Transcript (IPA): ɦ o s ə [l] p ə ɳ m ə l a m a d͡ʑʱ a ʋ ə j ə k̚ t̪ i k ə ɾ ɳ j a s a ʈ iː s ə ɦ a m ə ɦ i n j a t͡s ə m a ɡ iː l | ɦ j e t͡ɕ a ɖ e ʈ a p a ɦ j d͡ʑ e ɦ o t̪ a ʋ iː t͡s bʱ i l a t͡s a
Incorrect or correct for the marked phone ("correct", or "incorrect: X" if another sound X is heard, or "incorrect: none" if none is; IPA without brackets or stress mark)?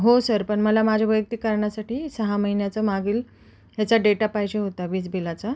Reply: incorrect: ɾ